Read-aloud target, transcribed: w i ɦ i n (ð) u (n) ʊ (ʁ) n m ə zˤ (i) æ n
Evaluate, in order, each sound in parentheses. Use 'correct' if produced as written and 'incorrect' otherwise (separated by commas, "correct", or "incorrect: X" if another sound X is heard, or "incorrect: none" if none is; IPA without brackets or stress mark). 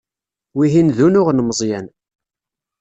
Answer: correct, correct, correct, incorrect: j